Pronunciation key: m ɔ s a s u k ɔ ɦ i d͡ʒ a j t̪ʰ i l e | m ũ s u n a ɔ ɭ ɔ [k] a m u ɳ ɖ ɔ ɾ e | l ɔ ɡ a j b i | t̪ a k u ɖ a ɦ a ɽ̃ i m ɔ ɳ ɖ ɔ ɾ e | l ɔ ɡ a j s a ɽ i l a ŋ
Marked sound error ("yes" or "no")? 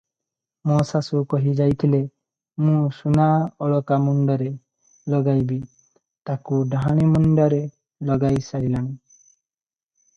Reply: no